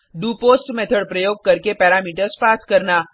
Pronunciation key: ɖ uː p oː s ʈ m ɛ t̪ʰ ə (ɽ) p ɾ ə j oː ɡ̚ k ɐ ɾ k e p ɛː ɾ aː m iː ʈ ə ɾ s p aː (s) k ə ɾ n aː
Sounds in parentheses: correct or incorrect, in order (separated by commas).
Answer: correct, correct